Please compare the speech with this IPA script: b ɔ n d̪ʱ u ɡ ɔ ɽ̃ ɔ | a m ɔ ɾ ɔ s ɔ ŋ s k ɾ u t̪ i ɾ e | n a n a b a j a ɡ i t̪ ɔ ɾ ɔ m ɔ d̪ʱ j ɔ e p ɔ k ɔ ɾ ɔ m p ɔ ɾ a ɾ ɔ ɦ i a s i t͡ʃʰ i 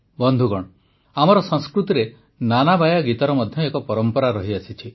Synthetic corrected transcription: b ɔ n d̪ʱ u ɡ ɔ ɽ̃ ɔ | a m ɔ ɾ ɔ s ɔ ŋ s k ɾ u t̪ i ɾ e | n a n a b a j a ɡ i t̪ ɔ ɾ ɔ m ɔ d̪ʱ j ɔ e k ɔ p ɔ ɾ ɔ m p ɔ ɾ a ɾ ɔ ɦ i a s i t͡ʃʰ i